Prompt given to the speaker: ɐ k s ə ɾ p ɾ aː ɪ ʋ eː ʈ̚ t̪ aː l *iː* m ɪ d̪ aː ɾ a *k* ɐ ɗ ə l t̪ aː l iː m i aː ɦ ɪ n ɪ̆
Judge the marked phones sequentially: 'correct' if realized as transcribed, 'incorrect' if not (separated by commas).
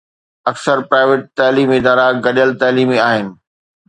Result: correct, incorrect